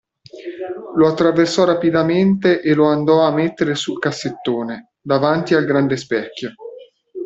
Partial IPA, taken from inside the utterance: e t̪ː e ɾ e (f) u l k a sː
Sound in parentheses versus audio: incorrect: s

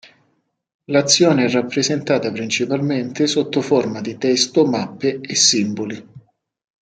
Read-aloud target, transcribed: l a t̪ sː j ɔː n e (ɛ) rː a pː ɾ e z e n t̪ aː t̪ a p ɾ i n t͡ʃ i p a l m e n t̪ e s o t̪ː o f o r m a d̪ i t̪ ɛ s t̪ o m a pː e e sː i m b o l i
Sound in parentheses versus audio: correct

